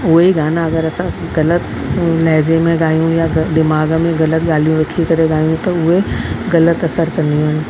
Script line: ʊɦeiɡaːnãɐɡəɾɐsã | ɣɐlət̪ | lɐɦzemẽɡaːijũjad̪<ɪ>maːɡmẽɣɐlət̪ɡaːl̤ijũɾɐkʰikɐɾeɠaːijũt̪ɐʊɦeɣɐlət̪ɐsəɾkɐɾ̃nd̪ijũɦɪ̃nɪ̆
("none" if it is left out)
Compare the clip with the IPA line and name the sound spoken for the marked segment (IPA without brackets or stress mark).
ɪ